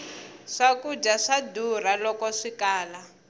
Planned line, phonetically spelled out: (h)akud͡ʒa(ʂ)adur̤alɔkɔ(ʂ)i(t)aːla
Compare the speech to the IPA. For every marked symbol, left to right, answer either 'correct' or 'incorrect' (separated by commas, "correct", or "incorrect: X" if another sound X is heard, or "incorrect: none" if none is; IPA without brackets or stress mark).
incorrect: ʂ, correct, correct, incorrect: k